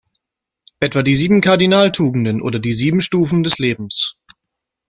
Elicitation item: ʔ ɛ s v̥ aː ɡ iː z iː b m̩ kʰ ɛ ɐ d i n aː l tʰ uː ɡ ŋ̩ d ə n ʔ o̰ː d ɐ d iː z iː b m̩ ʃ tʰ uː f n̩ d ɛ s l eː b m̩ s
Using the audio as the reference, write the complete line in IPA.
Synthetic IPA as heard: ʔ ɛ t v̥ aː d iː z iː b m̩ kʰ a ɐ d i n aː l tʰ uː ɡ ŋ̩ d ə n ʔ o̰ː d ɐ d iː z iː b m̩ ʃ t uː f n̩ d ɛ s l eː b m̩ s